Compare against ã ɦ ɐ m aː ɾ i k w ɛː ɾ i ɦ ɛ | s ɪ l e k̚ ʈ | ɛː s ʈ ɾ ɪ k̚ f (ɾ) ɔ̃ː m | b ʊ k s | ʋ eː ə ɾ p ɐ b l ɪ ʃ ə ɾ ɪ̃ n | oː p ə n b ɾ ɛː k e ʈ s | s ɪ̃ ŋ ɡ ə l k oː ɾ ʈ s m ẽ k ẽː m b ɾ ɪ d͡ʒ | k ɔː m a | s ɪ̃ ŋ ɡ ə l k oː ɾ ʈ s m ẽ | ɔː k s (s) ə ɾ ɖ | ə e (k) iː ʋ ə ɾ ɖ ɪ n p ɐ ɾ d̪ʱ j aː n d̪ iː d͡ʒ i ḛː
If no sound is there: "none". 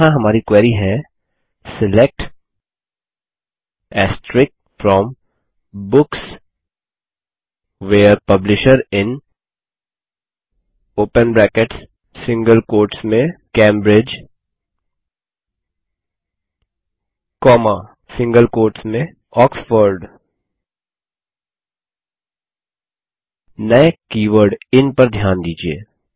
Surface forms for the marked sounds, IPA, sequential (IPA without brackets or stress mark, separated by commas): ɾ, f, k